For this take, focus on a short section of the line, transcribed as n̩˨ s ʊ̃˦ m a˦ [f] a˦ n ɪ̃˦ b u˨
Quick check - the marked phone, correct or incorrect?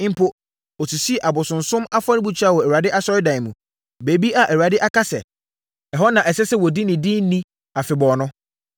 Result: correct